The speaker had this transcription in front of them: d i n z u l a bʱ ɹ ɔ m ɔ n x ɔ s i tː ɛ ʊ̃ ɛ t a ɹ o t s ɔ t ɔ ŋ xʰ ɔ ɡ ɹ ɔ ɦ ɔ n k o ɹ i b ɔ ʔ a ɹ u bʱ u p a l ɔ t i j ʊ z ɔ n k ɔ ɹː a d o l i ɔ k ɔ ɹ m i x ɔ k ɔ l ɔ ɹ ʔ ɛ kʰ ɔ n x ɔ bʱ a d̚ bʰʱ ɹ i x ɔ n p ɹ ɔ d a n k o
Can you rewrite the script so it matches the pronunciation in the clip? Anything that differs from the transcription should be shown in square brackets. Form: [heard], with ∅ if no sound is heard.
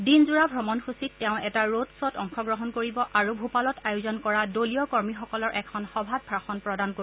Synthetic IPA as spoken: d i n z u [ɹ] a bʱ ɹ ɔ m ɔ n x [u] s i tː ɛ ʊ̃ ɛ t a ɹ o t s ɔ t ɔ ŋ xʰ ɔ ɡ ɹ ɔ ɦ ɔ n k o ɹ i b ɔ ʔ a ɹ u bʱ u p a l ɔ t [a] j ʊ z ɔ n k ɔ [ɹ] a d o l i ɔ k ɔ ɹ m i x ɔ k ɔ l ɔ ɹ ʔ ɛ kʰ ɔ n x ɔ bʱ a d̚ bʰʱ ɹ [a] x ɔ n p ɹ ɔ d a n k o